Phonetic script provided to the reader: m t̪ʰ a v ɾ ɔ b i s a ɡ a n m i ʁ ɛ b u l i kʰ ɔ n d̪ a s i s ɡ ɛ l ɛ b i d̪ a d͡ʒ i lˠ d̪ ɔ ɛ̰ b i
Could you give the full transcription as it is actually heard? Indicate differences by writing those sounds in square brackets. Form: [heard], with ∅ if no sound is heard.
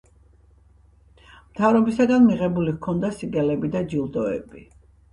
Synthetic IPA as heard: m t̪ʰ a v ɾ ɔ b i s a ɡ a n m i ʁ ɛ b u l i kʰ ɔ n d̪ a s i [∅] ɡ ɛ l ɛ b i d̪ a d͡ʒ i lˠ d̪ ɔ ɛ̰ b i